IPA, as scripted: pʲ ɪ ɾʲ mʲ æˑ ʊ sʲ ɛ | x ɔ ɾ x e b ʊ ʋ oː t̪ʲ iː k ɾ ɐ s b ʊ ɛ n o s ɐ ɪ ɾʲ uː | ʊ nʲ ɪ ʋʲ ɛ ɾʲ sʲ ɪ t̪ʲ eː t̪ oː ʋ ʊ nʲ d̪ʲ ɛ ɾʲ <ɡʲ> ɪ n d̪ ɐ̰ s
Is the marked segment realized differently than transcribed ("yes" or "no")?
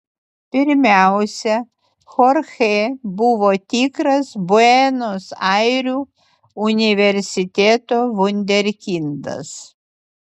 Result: yes